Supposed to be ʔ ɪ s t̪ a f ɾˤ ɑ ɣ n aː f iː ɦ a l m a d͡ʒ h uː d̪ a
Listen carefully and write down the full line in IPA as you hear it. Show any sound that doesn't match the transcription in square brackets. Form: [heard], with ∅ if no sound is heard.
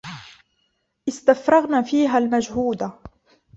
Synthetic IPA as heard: ʔ ɪ s t̪ a f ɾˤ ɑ ɣ n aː f iː ɦ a l m a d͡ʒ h uː d̪ a